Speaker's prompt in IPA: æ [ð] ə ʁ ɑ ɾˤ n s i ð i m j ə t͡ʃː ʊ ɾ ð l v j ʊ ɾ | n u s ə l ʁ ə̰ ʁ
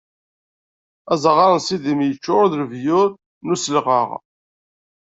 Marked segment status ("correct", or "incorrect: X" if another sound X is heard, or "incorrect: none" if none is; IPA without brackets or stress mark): incorrect: z